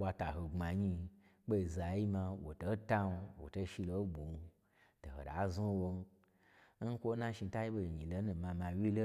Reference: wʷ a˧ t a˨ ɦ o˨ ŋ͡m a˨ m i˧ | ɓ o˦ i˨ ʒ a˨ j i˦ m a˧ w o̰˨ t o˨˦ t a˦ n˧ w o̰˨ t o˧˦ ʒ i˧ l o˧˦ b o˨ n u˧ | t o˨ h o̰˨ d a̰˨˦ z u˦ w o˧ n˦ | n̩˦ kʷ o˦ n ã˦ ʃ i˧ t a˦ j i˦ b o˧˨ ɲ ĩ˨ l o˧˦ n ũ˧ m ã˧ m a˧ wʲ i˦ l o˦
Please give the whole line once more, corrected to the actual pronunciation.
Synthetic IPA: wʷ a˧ t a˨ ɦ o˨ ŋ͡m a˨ ɲ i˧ | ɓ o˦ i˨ z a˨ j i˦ m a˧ w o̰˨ t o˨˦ t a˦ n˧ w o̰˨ t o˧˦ ʃ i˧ l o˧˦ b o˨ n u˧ | t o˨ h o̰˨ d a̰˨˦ z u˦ w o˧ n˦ | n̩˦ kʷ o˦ n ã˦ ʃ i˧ t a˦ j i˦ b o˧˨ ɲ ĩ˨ l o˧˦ n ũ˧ m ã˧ m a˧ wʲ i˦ l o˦